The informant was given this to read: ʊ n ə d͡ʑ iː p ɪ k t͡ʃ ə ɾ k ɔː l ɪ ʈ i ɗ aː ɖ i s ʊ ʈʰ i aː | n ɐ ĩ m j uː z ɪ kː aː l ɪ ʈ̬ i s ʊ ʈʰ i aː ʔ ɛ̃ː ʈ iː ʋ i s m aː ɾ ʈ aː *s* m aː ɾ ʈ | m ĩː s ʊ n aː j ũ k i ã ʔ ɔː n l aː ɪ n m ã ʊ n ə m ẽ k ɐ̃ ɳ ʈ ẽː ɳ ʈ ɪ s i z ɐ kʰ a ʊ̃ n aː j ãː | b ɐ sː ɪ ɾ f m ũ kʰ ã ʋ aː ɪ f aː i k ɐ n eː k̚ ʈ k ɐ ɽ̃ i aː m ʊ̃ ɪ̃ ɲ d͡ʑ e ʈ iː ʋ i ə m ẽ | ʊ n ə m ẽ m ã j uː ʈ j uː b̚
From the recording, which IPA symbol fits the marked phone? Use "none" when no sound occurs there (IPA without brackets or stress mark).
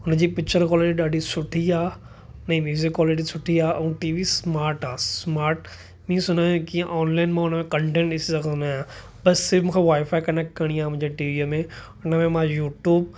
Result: s